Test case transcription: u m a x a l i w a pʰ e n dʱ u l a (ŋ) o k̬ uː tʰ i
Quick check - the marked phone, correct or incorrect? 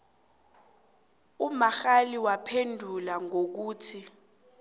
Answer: correct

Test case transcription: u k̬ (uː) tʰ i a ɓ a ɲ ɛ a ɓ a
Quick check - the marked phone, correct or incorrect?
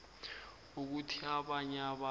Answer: incorrect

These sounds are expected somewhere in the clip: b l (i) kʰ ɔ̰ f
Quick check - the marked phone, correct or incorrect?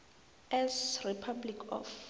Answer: correct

